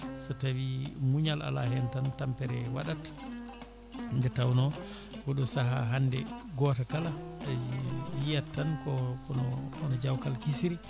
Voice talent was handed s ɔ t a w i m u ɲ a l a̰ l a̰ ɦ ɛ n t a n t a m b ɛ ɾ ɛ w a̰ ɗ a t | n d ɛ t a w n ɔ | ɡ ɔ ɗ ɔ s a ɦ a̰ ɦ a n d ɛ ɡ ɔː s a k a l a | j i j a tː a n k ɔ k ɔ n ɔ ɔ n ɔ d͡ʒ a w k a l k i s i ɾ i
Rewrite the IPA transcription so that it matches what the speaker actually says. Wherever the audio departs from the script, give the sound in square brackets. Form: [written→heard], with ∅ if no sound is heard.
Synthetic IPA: s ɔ t a w i m u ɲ a l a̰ l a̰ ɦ ɛ n t a n t a m [b→p] ɛ ɾ ɛ w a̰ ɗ a t | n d ɛ t a w n ɔ | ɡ ɔ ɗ ɔ s a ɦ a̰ ɦ a n d ɛ ɡ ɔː [s→t] a k a l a | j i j a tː a n k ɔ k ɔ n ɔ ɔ n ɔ d͡ʒ a w k a l k i s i ɾ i